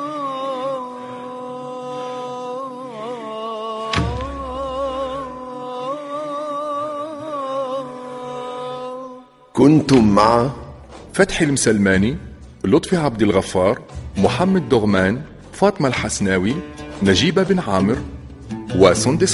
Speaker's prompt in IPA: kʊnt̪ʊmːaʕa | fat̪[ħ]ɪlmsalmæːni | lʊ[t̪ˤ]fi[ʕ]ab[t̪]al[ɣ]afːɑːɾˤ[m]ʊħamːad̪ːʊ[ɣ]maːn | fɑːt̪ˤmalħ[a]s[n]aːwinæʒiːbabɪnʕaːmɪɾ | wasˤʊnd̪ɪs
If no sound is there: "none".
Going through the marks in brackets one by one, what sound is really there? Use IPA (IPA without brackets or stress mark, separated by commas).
ħ, t̪ˤ, ʕ, d̪, ɣ, m, ɣ, a, n